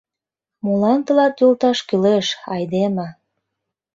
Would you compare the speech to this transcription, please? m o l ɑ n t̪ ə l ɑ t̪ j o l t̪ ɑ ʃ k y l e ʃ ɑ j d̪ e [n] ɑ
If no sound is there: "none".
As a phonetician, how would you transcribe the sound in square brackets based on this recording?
m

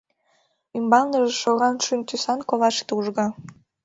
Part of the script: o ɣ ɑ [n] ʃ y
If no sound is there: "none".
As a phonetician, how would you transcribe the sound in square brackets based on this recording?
n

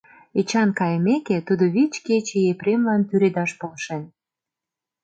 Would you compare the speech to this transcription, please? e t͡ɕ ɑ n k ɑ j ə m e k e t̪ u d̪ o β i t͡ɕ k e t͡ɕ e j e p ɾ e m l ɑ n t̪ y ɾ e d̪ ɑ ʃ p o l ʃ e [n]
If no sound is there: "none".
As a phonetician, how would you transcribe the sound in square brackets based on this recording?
n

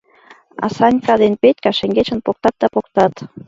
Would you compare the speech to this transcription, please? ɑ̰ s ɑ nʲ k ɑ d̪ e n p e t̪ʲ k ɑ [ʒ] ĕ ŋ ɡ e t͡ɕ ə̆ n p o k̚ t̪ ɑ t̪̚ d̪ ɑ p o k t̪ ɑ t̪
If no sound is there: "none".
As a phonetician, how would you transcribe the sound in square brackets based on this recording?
ʃ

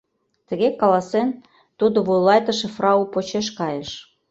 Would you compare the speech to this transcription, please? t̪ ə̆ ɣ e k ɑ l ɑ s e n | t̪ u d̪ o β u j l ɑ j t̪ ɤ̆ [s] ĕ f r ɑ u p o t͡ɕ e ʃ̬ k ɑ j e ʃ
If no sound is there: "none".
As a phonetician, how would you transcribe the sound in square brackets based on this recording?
ʃ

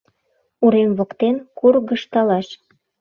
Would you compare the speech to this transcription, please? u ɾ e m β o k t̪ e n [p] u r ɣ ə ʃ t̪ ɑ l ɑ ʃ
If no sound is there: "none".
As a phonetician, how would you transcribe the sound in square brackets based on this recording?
k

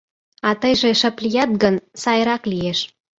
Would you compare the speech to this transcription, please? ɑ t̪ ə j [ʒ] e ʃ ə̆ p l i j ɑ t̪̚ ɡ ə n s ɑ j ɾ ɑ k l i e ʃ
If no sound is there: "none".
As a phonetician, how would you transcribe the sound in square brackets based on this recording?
ʒ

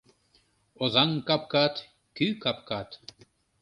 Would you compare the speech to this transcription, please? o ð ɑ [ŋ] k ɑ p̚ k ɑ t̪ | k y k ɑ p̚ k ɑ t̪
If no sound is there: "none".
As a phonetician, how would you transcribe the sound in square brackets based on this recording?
ŋ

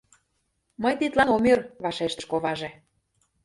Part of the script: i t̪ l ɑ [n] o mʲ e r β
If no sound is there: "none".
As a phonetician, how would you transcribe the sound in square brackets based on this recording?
n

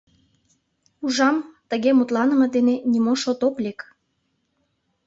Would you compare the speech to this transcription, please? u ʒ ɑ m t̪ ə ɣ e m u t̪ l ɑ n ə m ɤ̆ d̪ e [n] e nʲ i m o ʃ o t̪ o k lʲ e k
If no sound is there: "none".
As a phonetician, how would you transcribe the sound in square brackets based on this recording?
n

